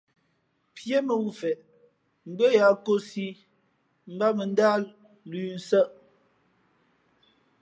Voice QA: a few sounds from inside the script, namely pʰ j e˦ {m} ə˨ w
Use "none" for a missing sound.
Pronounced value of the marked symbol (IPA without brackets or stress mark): m